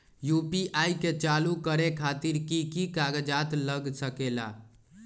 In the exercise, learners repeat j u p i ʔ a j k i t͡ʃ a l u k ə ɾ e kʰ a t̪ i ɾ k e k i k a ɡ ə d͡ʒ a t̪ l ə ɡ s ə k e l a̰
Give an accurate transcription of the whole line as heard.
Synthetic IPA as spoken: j u p i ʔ a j k e t͡ʃ a l u k ə ɾ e kʰ a t̪ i ɾ k i k i k a ɡ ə d͡ʒ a t̪ l ə ɡ s ə k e l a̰